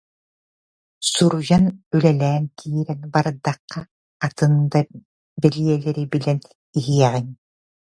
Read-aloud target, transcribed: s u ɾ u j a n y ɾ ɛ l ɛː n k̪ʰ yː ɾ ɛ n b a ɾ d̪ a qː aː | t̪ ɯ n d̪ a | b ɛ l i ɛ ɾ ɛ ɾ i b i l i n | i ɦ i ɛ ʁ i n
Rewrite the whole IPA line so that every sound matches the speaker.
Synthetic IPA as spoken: s u ɾ u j a n y l ɛ l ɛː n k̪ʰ iː ɾ ɛ n b a ɾ d̪ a qː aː | t̪ ɯ n d̪ a | b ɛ l i ɛ l ɛ ɾ i b i l ɛ n | i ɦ i ɛ ʁ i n